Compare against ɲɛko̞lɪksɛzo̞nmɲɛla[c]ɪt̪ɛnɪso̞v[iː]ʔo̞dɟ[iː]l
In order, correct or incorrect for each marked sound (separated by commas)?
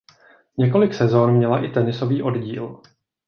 incorrect, correct, correct